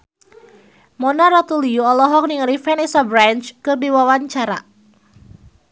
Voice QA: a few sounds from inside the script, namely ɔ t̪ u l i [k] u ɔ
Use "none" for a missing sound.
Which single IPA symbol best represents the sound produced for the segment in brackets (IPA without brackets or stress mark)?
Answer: none